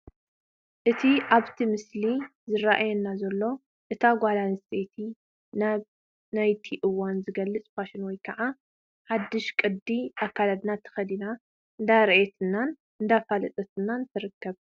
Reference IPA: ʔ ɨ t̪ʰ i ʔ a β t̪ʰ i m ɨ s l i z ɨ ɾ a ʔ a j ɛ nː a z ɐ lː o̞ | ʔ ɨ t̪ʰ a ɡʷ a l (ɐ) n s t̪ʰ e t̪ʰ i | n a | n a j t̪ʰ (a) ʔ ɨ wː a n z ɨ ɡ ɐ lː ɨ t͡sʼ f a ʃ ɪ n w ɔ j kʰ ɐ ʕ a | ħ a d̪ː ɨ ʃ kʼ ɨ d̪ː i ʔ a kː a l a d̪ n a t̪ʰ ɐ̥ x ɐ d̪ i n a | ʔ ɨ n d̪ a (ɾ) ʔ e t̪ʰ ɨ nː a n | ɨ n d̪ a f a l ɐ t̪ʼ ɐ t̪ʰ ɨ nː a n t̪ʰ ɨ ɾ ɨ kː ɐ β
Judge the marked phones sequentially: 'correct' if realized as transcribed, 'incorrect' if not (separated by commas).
incorrect, incorrect, correct